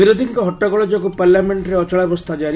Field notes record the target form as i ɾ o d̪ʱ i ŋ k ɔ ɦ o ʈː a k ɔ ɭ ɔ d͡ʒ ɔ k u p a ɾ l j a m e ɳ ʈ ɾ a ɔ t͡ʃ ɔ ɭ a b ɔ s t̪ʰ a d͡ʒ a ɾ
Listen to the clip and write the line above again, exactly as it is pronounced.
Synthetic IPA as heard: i ɾ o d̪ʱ i ŋ k ɔ ɦ ɔ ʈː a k ɔ ɭ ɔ d͡ʒ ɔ k u p a ɾ l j a m e ɳ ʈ ɾ e ɔ t͡ʃ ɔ ɭ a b ɔ s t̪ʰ a d͡ʒ a ɾ